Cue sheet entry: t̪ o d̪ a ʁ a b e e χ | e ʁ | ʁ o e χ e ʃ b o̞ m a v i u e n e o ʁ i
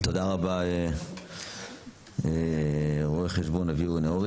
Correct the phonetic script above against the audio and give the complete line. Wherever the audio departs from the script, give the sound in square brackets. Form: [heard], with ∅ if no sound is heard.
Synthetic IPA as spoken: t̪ o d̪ a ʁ a b [a] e [∅] | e [∅] | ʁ o e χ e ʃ b o̞ [n] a v i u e n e o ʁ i